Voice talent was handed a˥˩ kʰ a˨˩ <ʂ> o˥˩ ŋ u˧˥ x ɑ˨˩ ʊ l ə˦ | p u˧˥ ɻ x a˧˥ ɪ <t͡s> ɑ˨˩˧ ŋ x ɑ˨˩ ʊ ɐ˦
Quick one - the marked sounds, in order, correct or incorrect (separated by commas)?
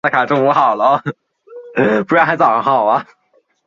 incorrect, correct